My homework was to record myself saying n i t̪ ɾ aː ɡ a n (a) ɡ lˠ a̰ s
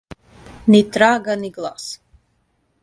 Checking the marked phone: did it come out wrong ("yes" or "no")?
yes